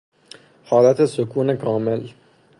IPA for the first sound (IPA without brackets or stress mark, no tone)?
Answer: h